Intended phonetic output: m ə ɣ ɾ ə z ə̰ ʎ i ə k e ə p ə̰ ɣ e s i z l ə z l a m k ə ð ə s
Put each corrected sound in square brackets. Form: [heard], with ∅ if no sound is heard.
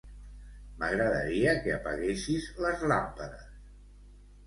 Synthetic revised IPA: m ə ɣ ɾ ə [ð] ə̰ [ɾ] i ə k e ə p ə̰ ɣ e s i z l ə z l a m [p] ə ð ə s